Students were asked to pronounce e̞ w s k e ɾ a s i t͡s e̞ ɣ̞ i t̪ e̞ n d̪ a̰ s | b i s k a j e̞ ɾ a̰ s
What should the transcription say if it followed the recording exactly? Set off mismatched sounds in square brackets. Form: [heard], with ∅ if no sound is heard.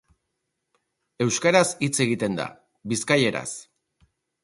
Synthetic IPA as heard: e̞ w s k [a] ɾ a s i t͡s e̞ ɣ̞ i t̪ e̞ n d̪ a̰ [∅] | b i s k a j e̞ ɾ a̰ s

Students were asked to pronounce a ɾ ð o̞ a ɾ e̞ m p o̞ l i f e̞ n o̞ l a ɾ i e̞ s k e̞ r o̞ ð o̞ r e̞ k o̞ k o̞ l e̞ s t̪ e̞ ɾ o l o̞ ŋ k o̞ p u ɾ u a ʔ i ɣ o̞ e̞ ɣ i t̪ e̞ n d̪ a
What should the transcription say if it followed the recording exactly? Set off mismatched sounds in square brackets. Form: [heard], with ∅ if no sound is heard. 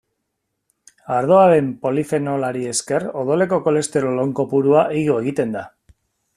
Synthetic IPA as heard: a ɾ ð o̞ a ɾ e̞ m p o̞ l i f e̞ n o̞ l a ɾ i e̞ s k e̞ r o̞ ð o̞ [l] e̞ k o̞ k o̞ l e̞ s t̪ e̞ ɾ o l o̞ ŋ k o̞ p u ɾ u a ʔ i ɣ o̞ e̞ ɣ i t̪ e̞ n d̪ a

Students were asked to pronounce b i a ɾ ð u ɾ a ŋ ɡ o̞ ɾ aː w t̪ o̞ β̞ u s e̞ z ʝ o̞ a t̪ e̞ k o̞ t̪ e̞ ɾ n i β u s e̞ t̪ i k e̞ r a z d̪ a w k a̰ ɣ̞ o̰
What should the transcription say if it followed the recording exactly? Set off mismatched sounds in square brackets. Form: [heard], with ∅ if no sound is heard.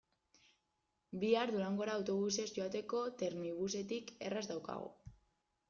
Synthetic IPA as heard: b i a ɾ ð u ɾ a ŋ ɡ o̞ ɾ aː w t̪ o̞ β̞ u s e̞ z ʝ o̞ a t̪ e̞ k o̞ t̪ e̞ ɾ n i β u s e̞ t̪ i k e̞ r a z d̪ a w k a̰ ɣ̞ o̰

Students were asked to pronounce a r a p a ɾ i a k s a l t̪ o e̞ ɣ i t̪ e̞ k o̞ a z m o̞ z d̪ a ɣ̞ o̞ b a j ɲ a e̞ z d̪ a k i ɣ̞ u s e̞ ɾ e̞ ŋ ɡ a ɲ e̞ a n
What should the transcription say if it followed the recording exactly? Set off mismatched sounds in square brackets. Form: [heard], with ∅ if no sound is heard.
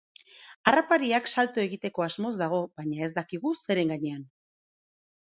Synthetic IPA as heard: a r a p a ɾ i a k s a l t̪ o e̞ ɣ i t̪ e̞ k o̞ a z m o̞ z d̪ a ɣ̞ o̞ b a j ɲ a e̞ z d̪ a k i ɣ̞ u s e̞ ɾ e̞ ŋ ɡ a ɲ e̞ a n

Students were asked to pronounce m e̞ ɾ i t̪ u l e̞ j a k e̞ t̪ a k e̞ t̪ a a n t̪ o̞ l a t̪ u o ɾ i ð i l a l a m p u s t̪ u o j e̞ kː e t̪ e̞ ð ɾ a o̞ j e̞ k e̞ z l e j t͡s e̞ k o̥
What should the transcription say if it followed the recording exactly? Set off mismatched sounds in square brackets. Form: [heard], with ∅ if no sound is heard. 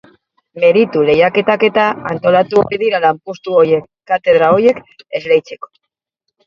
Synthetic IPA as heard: m e̞ ɾ i t̪ u l e̞ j a k e̞ t̪ a k e̞ t̪ a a n t̪ o̞ l a t̪ u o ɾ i ð i [ɾ] a l a m p u s t̪ u o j e̞ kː [a] t̪ e̞ ð ɾ a o̞ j e̞ k e̞ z l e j t͡s e̞ k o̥

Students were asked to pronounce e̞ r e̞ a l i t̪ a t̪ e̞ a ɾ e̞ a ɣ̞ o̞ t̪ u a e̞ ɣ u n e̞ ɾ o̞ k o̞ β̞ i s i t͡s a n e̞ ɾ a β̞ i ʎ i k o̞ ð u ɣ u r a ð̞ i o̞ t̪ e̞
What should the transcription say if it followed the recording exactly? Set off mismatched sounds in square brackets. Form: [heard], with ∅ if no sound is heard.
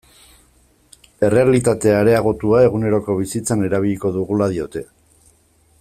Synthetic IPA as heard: e̞ r e̞ a l i t̪ a t̪ e̞ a ɾ e̞ a ɣ̞ o̞ t̪ u a e̞ ɣ u n e̞ ɾ o̞ k o̞ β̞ i s i t͡s a n e̞ ɾ a β̞ i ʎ i k o̞ ð u ɣ u [l] a ð̞ i o̞ t̪ e̞

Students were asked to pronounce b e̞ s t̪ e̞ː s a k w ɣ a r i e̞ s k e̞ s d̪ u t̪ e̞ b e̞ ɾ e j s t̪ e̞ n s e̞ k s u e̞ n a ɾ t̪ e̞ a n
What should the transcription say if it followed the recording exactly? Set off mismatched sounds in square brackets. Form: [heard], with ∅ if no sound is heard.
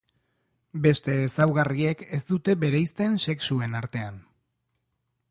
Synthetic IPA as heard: b e̞ s t̪ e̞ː s a [∅] w ɣ a r i e̞ [∅] k e̞ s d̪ u t̪ e̞ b e̞ ɾ e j s t̪ e̞ n s e̞ k s u e̞ n a ɾ t̪ e̞ a n

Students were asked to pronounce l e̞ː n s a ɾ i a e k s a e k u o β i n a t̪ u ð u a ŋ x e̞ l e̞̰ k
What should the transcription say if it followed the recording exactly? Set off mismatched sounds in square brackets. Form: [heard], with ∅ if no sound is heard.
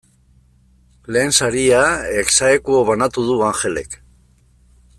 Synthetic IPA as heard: l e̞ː n s a ɾ i a e k s a e k u o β [a] n a t̪ u ð u a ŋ x e̞ l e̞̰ k

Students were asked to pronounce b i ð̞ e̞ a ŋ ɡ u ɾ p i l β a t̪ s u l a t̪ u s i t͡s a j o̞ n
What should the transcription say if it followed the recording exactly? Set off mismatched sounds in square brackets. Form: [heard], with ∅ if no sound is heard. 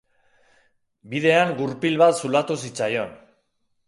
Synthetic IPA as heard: b i ð̞ e̞ a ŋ ɡ u ɾ p i l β a t̪ s u l a t̪ u s i t͡s a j o̞ n

